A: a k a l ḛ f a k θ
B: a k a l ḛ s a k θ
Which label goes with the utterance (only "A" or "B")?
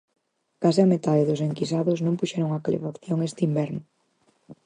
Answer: A